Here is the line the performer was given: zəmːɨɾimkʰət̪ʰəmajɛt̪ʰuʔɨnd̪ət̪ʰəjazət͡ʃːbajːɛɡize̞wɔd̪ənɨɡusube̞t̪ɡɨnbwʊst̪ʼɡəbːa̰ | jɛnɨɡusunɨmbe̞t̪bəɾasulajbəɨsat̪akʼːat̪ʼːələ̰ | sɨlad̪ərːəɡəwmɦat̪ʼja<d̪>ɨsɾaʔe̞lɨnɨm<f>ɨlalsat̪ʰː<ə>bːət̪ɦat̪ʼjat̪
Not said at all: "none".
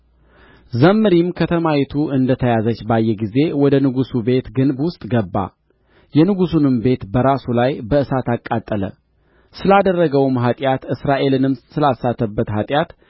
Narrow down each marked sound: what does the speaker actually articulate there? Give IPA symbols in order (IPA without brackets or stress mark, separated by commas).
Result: t̪, s, ə